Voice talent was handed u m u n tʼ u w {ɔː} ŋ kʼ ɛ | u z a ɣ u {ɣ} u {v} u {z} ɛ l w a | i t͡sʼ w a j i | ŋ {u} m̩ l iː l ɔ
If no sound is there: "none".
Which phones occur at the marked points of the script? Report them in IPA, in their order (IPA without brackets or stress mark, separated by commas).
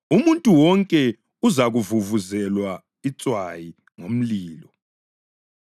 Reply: ɔ, v, v, z, o